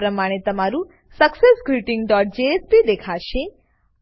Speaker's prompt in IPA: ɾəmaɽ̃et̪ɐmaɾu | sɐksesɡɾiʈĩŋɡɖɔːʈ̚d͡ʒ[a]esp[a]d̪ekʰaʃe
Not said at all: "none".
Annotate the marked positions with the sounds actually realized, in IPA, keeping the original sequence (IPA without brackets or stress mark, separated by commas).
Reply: e, i